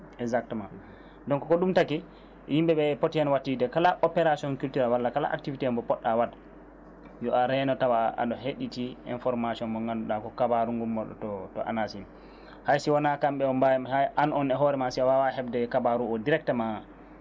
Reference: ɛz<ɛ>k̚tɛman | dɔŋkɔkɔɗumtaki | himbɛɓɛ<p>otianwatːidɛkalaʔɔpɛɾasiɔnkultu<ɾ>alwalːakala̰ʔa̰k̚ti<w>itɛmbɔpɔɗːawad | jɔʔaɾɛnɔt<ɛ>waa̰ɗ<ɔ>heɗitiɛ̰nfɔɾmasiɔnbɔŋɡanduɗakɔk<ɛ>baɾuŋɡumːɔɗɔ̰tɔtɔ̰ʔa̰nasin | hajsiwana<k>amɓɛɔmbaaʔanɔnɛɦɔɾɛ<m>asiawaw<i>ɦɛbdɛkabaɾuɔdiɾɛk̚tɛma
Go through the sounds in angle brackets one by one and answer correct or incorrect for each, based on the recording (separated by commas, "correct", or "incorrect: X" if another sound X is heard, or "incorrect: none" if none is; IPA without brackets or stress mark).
incorrect: a, correct, correct, incorrect: v, incorrect: a, correct, incorrect: a, correct, correct, incorrect: a